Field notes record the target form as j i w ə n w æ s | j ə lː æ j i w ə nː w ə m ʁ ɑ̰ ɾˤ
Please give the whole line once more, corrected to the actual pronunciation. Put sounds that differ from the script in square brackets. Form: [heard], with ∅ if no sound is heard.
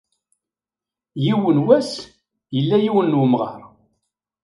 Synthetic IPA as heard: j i w ə n w æ s | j ə lː æ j i w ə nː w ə m ʁ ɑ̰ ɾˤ